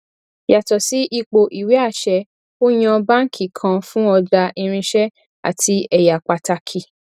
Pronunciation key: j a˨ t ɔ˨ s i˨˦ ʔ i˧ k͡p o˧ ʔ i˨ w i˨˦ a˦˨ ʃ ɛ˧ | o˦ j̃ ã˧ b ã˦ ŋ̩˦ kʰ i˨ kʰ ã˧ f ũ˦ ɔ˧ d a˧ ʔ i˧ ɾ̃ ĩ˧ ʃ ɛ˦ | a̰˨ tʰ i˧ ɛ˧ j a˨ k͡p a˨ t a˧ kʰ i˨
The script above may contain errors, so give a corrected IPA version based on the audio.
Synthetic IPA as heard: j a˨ t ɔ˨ s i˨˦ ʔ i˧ k͡p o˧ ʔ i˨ w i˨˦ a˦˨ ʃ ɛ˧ | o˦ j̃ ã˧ b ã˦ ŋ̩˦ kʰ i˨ kʰ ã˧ f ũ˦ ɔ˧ d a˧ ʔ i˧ ɾ̃ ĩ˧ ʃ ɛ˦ | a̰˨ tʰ i˧ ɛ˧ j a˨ k͡p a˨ t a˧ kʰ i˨